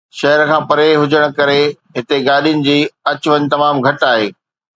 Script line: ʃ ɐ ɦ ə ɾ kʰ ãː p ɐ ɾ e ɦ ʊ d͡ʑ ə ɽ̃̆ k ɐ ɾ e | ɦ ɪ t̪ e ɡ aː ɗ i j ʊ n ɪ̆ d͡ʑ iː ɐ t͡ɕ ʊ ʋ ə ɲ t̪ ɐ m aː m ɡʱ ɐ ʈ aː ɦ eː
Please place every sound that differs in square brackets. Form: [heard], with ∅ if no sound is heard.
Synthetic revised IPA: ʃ ɐ ɦ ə ɾ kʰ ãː p ɐ ɾ e ɦ ʊ d͡ʑ ə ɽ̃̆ k ɐ ɾ e | ɦ ɪ t̪ e ɡ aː ɗ i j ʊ n ɪ̆ d͡ʑ iː ɐ t͡ɕ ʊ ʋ ə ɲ t̪ ɐ m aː m ɡʱ ɐ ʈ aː ɦ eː